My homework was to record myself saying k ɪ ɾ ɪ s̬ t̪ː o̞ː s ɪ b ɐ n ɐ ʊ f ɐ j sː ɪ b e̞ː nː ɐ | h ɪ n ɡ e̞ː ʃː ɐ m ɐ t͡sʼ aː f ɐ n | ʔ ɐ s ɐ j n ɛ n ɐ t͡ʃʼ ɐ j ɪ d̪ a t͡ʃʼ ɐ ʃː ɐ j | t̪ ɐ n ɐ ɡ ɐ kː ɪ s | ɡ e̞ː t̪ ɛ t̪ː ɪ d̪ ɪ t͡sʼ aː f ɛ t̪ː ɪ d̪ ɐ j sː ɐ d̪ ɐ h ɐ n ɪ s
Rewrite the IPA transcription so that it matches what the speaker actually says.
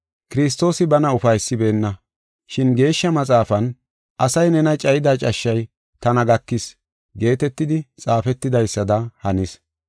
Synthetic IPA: k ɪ ɾ ɪ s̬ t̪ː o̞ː s ɪ b ɐ n ɐ ʊ f ɐ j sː ɪ b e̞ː nː ɐ | ʃ ɪ n ɡ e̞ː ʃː ɐ m ɐ t͡sʼ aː f ɐ n | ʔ ɐ s ɐ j n ɛ n ɐ t͡ʃʼ ɐ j ɪ d̪ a t͡ʃʼ ɐ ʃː ɐ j | t̪ ɐ n ɐ ɡ ɐ kː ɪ s | ɡ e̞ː t̪ ɛ t̪ː ɪ d̪ ɪ t͡sʼ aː f ɛ t̪ː ɪ d̪ ɐ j sː ɐ d̪ ɐ h ɐ n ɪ s